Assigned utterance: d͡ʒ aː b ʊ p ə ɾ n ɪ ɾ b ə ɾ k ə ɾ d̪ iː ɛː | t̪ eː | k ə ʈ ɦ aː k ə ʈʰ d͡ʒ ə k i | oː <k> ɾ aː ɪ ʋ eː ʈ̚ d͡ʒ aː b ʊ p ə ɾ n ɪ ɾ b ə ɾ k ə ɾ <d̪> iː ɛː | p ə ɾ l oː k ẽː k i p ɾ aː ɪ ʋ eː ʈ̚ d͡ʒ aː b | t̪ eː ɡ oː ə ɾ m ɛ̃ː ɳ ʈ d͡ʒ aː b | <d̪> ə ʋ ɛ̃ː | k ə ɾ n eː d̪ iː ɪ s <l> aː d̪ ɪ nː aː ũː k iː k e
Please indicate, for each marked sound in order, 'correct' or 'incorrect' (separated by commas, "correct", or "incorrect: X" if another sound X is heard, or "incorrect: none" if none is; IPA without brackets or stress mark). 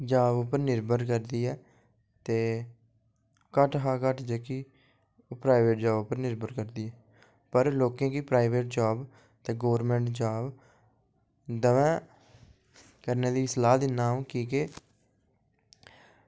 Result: incorrect: p, correct, correct, correct